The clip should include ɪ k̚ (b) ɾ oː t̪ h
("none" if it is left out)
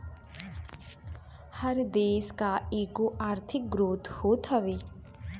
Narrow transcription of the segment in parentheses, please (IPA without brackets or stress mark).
ɡ